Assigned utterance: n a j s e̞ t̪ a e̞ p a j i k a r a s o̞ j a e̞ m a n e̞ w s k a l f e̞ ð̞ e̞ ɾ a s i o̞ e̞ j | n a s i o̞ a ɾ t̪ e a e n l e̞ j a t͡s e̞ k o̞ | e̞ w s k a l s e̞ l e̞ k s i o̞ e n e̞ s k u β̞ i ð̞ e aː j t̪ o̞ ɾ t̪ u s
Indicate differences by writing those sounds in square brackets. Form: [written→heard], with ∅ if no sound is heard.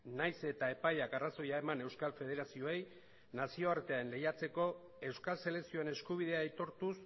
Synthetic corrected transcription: n a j s e̞ t̪ a e̞ p a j [i→a] k a r a s o̞ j a e̞ m a n e̞ w s k a l f e̞ ð̞ e̞ ɾ a s i o̞ e̞ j | n a s i o̞ a ɾ t̪ e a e n l e̞ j a t͡s e̞ k o̞ | e̞ w s k a l s e̞ l e̞ k s i o̞ e n e̞ s k u β̞ i ð̞ e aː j t̪ o̞ ɾ t̪ u s

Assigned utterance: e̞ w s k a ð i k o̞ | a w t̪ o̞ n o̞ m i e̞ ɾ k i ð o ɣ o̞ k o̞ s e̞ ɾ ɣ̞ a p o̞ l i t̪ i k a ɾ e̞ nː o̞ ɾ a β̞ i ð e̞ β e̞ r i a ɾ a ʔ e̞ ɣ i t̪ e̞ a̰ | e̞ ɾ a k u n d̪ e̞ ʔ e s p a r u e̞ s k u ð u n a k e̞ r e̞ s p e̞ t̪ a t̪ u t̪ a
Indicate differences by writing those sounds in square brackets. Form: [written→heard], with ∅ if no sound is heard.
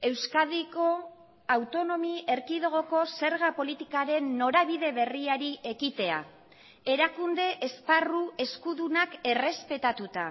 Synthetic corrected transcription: e̞ w s k a ð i k o̞ | a w t̪ o̞ n o̞ m i e̞ ɾ k i ð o ɣ o̞ k o̞ s e̞ ɾ ɣ̞ a p o̞ l i t̪ i k a ɾ e̞ nː o̞ ɾ a β̞ i ð e̞ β e̞ r i a ɾ [a→i] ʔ e̞ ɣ i t̪ e̞ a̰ | e̞ ɾ a k u n d̪ e̞ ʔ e s p a r u e̞ s k u ð u n a k e̞ r e̞ s p e̞ t̪ a t̪ u t̪ a

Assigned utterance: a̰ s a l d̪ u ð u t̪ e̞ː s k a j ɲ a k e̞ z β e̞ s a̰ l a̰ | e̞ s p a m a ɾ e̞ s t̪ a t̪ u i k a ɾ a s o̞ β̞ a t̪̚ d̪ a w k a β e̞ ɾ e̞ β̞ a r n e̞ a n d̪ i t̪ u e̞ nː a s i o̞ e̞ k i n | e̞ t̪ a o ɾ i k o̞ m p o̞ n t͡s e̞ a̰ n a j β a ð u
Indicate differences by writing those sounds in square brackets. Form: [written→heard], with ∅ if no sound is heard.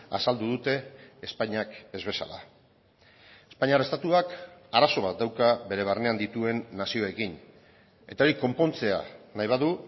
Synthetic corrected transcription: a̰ s a l d̪ u ð u t̪ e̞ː s [k→p] a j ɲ a k e̞ z β e̞ s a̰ l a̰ | e̞ s p a [m→ɲ] a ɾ e̞ s t̪ a t̪ u [i→a] k a ɾ a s o̞ β̞ a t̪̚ d̪ a w k a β e̞ ɾ e̞ β̞ a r n e̞ a n d̪ i t̪ u e̞ nː a s i o̞ e̞ k i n | e̞ t̪ a o ɾ i k o̞ m p o̞ n t͡s e̞ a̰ n a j β a ð u

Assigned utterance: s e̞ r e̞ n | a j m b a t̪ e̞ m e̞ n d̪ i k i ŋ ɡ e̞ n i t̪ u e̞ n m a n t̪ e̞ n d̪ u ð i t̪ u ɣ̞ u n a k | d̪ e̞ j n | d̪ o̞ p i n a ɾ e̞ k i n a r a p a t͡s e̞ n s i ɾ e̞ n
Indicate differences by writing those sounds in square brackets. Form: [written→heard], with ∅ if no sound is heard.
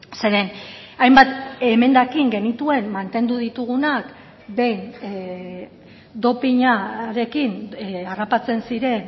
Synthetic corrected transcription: s e̞ [r→ɾ] e̞ n | a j m b a t̪ e̞ m e̞ n d̪ [i→a] k i ŋ ɡ e̞ n i t̪ u e̞ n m a n t̪ e̞ n d̪ u ð i t̪ u ɣ̞ u n a k | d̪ e̞ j n | d̪ o̞ p i [n→ɲ] a ɾ e̞ k i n a r a p a t͡s e̞ n s i ɾ e̞ n

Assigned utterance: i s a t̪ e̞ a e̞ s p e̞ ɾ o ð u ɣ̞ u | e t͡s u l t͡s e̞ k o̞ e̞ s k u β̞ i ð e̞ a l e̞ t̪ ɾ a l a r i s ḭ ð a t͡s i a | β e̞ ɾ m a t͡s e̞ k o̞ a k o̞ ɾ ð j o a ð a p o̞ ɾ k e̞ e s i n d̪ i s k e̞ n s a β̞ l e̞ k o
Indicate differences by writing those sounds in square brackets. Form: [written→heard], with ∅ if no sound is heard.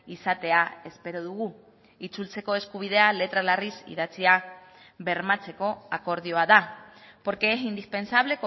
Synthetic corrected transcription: i s a t̪ e̞ a e̞ s p e̞ ɾ o ð u ɣ̞ u | [e→i] t͡s u l t͡s e̞ k o̞ e̞ s k u β̞ i ð e̞ a l e̞ t̪ ɾ a l a r i s ḭ ð a t͡s i a | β e̞ ɾ m a t͡s e̞ k o̞ a k o̞ ɾ ð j o a ð a p o̞ ɾ k e̞ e s i n d̪ i s [k→p] e̞ n s a β̞ l e̞ k o

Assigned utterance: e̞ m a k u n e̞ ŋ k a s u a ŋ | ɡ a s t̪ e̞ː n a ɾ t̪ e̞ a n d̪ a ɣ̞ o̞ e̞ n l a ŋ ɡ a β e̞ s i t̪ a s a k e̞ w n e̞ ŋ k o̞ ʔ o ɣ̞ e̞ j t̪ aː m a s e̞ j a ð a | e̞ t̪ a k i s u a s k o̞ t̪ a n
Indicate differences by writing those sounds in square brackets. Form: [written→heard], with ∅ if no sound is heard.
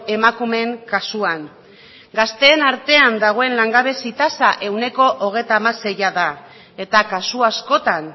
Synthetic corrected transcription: e̞ m a k u [n→m] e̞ ŋ k a s u a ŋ | ɡ a s t̪ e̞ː n a ɾ t̪ e̞ a n d̪ a ɣ̞ o̞ e̞ n l a ŋ ɡ a β e̞ s i t̪ a s a [k→ʔ] e̞ w n e̞ [ŋ→∅] k o̞ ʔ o ɣ̞ e̞ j t̪ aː m a s e̞ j a ð a | e̞ t̪ a k [i→a] s u a s k o̞ t̪ a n

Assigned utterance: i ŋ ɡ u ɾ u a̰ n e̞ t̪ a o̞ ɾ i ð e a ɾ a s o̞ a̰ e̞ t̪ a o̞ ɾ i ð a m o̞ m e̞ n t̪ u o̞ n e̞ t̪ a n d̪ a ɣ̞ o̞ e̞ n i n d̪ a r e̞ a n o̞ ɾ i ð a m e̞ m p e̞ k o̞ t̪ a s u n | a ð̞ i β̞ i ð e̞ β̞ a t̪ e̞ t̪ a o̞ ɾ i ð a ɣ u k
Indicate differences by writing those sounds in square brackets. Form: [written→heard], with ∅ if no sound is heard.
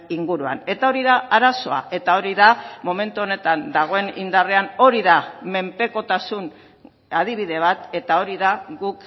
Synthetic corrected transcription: i ŋ ɡ u ɾ u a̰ n e̞ t̪ a o̞ ɾ i ð [e→a] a ɾ a s o̞ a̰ e̞ t̪ a o̞ ɾ i ð a m o̞ m e̞ n t̪ u o̞ n e̞ t̪ a n d̪ a ɣ̞ o̞ e̞ n i n d̪ a r e̞ a n o̞ ɾ i ð a m e̞ m p e̞ k o̞ t̪ a s u n | a ð̞ i β̞ i ð e̞ β̞ a t̪ e̞ t̪ a o̞ ɾ i ð a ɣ u k

